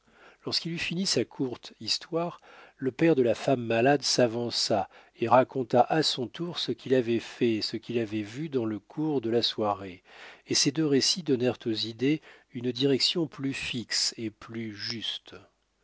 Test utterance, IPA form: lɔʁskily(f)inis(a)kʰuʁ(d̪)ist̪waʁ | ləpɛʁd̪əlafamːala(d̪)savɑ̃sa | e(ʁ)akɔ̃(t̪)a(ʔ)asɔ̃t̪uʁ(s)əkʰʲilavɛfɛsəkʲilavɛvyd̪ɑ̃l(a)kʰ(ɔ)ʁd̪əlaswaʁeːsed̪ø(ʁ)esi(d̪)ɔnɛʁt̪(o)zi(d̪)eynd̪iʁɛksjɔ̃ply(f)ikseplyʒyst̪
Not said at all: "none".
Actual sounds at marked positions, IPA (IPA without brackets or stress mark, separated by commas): f, a, t̪, d̪, ʁ, t̪, ʔ, s, ə, u, ʁ, d̪, o, d̪, f